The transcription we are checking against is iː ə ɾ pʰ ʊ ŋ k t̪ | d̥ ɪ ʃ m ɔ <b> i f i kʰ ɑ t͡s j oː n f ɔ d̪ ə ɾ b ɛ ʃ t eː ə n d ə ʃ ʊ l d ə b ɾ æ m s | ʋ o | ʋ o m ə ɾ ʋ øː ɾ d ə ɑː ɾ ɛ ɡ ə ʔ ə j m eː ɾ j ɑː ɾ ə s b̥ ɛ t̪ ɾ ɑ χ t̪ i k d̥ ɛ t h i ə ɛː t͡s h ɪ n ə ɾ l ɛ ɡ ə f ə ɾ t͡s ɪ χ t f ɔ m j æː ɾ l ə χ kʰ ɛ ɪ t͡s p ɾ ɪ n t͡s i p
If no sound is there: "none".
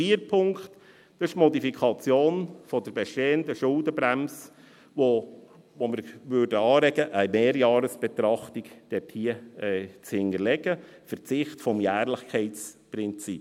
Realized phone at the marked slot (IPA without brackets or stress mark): d